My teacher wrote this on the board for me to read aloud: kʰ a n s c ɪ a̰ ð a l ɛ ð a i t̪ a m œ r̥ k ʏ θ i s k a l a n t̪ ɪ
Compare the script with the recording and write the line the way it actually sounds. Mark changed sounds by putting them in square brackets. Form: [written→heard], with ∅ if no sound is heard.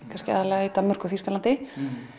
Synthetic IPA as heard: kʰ a n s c ɪ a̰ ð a l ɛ [ð→ɣ] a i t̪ a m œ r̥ k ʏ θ i s k a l a n t̪ ɪ

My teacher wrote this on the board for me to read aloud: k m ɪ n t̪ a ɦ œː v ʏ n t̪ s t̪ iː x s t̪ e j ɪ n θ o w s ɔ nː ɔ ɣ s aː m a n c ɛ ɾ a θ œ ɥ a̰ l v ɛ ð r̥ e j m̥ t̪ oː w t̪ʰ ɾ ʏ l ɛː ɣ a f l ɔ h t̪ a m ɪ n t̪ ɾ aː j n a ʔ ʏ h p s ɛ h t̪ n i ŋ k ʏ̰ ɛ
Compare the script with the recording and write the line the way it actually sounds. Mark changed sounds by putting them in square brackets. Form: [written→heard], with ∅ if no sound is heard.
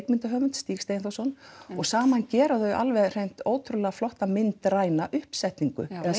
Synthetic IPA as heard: k m ɪ n t̪ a ɦ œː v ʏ n t̪ s t̪ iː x s t̪ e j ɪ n θ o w s ɔ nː ɔ ɣ s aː m a n c [ɛ→ɛː] ɾ a θ œ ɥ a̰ l v ɛ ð r̥ e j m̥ t̪ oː w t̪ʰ ɾ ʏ l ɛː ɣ a f l ɔ h t̪ a m ɪ n t̪ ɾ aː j n a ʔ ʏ h p s ɛ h t̪ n i ŋ k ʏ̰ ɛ

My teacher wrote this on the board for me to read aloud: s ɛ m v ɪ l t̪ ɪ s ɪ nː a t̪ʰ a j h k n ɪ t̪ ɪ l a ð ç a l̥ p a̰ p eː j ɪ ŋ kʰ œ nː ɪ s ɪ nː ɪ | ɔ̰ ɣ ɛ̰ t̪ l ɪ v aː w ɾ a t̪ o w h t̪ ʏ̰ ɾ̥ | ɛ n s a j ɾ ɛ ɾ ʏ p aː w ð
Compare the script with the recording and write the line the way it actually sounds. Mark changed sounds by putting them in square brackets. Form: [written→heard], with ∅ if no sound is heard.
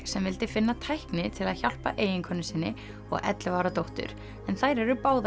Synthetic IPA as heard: s ɛ m v ɪ l t̪ ɪ [s→f] ɪ nː a t̪ʰ a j h k n ɪ [t̪→t̪ʰ] ɪ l a ð ç a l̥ p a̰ [p→ʔ] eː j ɪ ŋ kʰ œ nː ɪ s ɪ nː ɪ | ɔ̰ ɣ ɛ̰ t̪ l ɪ v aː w ɾ a t̪ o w h t̪ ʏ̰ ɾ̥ | ɛ n [s→θ] a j ɾ ɛ ɾ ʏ p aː w ð

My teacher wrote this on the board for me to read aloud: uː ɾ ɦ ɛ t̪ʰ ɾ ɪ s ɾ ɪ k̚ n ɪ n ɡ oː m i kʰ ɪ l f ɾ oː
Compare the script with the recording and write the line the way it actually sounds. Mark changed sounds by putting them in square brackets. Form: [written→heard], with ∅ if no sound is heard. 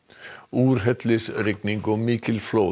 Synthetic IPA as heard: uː ɾ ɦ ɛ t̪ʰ [ɾ→l] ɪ s ɾ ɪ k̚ n ɪ [n→ŋ] ɡ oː m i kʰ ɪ l f [ɾ→l] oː

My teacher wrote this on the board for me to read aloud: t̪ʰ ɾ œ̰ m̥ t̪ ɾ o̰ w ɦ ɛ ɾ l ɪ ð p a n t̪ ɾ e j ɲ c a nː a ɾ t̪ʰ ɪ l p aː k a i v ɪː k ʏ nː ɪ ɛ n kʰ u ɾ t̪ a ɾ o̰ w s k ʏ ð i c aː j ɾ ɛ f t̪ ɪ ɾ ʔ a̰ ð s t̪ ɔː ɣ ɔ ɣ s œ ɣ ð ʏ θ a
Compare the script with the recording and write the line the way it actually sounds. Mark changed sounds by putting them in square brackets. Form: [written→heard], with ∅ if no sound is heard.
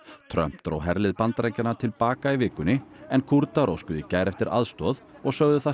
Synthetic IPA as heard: t̪ʰ ɾ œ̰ m̥ t̪ ɾ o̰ w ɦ ɛ ɾ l ɪ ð p a n t̪ ɾ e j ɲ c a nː a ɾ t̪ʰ ɪ l p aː k a i v ɪː k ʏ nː ɪ ɛ n kʰ u ɾ t̪ a ɾ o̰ w s k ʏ ð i c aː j ɾ ɛ f t̪ ɪ ɾ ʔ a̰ ð s t̪ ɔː [ɣ→ð] ɔ ɣ s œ ɣ ð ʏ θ a

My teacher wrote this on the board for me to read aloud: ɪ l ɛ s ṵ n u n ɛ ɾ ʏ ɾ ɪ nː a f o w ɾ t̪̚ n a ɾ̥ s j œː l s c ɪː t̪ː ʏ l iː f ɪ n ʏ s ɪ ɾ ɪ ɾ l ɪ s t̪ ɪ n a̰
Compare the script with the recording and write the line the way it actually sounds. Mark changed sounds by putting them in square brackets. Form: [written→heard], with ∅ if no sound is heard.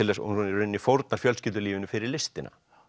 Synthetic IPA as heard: ɪ l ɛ s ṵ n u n ɛ ɾ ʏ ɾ ɪ nː [a→i] f o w ɾ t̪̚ n a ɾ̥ [s→f] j [œː→œ] l s c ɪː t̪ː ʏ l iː [f→v] ɪ n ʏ [s→f] ɪ ɾ ɪ ɾ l ɪ s t̪ ɪ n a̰

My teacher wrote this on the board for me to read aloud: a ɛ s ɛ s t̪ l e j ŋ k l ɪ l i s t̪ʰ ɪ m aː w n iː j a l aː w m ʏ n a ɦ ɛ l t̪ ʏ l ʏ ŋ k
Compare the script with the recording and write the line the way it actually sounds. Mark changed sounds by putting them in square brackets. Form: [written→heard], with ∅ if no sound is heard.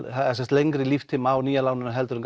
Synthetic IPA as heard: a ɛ s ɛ s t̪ l e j ŋ k [l→ɾ] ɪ l i [s→f] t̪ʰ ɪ m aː w n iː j a l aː w [m→n] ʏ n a ɦ ɛ l t̪ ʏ [l→ɾ] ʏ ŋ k

